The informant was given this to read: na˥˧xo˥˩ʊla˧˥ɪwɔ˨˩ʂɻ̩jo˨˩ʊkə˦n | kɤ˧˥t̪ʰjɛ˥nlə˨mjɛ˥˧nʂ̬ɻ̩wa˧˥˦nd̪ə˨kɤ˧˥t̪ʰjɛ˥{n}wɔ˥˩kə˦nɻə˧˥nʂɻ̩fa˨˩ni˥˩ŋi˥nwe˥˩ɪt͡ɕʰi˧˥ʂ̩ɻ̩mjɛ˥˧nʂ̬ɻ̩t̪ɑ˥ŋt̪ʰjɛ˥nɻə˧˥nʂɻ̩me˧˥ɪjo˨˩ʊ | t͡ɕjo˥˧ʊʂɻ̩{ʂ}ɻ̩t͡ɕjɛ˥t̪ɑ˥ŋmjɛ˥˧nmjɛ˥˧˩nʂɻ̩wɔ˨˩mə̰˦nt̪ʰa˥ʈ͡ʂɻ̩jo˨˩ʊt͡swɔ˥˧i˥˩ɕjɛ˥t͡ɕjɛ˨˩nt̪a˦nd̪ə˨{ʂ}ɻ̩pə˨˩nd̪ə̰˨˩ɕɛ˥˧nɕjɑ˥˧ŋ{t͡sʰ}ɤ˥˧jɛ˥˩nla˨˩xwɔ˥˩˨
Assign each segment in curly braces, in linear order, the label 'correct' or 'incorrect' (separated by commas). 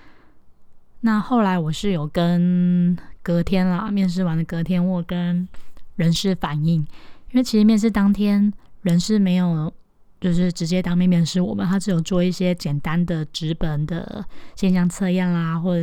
correct, incorrect, incorrect, correct